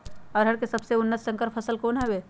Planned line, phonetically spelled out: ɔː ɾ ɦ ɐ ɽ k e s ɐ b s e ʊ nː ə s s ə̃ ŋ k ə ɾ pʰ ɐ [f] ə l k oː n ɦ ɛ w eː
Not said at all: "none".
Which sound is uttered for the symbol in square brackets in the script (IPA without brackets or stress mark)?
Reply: s